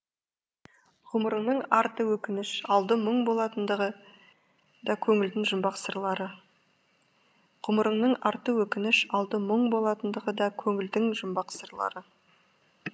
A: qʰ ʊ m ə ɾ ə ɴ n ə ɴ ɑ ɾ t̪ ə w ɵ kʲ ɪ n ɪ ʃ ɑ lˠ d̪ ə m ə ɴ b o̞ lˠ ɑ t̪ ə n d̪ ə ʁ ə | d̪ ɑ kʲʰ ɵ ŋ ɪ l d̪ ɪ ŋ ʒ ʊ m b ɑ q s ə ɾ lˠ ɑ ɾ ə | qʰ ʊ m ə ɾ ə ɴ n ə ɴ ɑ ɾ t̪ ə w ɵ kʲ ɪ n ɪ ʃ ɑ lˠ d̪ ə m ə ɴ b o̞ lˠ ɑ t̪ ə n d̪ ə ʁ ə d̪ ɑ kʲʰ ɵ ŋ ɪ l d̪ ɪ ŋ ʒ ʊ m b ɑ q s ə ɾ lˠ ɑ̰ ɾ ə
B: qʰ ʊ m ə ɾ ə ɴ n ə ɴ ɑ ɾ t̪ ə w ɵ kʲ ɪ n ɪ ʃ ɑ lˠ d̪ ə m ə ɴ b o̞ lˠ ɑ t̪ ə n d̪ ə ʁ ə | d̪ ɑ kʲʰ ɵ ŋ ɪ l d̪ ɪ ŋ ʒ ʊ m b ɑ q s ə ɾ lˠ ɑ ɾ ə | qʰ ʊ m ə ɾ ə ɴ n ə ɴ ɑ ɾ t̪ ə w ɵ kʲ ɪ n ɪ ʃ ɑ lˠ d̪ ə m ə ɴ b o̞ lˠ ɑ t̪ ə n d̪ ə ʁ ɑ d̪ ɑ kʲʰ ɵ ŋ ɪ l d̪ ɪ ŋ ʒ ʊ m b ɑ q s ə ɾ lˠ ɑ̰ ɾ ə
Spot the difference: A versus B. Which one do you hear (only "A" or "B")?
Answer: A